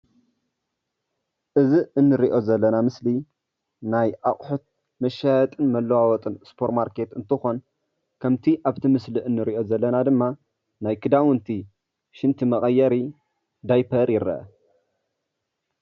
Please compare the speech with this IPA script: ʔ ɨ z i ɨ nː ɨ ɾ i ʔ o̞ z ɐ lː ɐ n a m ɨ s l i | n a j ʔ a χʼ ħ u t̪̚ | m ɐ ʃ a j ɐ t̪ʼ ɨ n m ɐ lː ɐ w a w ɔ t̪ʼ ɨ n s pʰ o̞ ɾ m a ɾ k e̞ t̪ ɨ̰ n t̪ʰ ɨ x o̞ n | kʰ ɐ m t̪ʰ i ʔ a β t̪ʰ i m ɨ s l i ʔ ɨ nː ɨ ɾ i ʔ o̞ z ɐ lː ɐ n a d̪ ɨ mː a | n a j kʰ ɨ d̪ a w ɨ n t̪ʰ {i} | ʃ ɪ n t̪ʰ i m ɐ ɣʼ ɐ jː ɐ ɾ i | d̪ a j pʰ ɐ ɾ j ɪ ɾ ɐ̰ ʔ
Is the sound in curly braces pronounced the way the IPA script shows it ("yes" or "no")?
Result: yes